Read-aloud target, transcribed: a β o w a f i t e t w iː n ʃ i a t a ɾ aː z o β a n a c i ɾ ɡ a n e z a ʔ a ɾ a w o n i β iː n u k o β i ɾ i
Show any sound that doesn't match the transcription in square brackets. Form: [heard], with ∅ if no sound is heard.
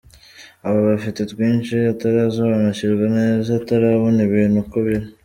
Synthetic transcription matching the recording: a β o [β] a f i t e t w iː n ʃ i a t a ɾ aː z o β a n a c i ɾ ɡ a n e z a [t] a ɾ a [β] o n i β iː n u k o β i ɾ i